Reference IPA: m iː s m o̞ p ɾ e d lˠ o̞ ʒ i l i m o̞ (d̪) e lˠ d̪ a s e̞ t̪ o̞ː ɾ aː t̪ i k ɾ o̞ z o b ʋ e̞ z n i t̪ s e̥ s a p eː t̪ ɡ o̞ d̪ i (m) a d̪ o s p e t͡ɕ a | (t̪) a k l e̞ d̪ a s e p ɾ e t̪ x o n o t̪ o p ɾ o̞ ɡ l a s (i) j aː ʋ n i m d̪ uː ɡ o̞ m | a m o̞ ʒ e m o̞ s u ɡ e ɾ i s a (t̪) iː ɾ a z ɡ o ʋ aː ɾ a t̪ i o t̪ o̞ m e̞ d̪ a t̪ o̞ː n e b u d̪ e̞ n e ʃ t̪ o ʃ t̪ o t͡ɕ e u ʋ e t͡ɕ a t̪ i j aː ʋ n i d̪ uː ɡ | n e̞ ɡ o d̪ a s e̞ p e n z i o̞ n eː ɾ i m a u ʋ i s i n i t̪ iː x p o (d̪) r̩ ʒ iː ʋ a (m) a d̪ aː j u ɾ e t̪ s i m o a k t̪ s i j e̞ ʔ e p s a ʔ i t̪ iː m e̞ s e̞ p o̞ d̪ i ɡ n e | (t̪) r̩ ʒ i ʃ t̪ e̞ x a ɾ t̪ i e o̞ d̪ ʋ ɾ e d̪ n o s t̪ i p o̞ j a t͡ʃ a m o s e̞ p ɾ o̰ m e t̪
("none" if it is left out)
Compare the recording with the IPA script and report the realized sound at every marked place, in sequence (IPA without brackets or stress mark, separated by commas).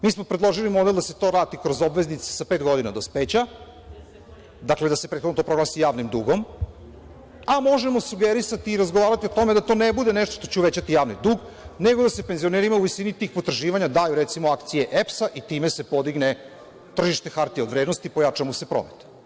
d̪, n, d̪, i, t̪, t̪, ɲ, t̪